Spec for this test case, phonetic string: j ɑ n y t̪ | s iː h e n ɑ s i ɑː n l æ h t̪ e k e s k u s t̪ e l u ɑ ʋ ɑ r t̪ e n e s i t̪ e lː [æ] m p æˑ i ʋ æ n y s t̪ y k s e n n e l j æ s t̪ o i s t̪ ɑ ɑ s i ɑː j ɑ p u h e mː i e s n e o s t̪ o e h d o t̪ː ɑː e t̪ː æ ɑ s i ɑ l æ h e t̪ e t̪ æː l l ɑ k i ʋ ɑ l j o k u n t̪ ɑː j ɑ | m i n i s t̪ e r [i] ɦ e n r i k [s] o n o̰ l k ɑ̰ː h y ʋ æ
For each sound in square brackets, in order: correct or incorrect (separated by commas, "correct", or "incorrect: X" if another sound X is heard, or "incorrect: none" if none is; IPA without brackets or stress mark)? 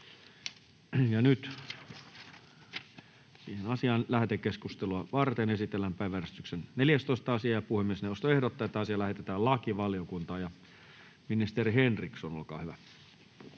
correct, correct, correct